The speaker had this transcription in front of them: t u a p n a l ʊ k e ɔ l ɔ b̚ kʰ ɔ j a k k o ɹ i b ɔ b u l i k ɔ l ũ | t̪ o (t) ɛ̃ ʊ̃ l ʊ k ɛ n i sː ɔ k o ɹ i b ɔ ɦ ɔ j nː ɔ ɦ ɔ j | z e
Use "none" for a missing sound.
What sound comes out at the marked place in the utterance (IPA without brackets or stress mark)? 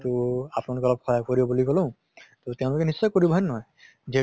t